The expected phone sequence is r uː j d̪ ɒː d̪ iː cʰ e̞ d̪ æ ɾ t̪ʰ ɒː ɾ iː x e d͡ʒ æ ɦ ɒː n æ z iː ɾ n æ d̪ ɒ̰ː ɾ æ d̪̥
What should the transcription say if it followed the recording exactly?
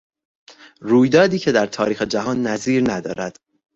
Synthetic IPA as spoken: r uː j d̪ ɒː d̪ iː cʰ e̞ d̪ æ ɾ t̪ʰ ɒː ɾ iː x e d͡ʒ æ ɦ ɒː nː æ z iː ɾ n æ d̪ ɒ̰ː ɾ æ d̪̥